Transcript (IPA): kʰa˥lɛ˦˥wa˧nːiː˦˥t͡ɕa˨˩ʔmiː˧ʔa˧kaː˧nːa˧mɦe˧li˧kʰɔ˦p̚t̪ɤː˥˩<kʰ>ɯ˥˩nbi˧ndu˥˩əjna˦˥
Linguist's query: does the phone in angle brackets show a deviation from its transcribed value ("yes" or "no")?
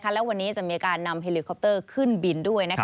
no